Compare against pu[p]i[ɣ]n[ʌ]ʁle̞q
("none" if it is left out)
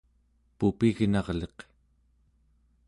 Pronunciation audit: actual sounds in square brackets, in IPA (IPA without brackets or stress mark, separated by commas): p, ɣ, ɑ